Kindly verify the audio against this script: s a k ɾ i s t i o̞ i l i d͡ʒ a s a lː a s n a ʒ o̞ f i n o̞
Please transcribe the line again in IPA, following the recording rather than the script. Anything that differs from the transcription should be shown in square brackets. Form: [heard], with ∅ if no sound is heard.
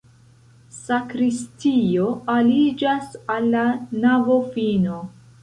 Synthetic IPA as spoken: s a k ɾ i s t i o̞ [a] l i d͡ʒ a s a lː a [∅] n a [v] o̞ f i n o̞